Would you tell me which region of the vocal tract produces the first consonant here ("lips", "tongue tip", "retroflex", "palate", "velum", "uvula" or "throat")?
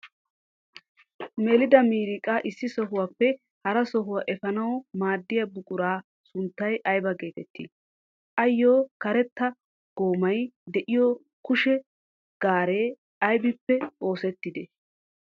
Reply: lips